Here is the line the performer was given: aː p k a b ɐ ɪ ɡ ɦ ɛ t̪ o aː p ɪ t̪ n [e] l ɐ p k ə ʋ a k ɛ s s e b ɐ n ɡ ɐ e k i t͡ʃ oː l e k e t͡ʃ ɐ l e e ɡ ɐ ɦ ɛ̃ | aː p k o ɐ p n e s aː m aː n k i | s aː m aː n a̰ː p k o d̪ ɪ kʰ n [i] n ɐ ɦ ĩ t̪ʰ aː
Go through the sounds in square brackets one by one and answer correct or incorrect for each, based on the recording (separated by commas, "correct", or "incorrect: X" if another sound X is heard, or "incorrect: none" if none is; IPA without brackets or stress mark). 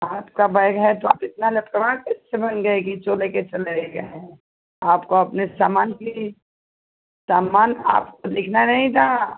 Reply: incorrect: a, incorrect: a